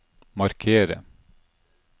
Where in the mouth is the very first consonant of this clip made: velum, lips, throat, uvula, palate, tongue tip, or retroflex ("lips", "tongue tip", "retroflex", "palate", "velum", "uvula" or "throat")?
lips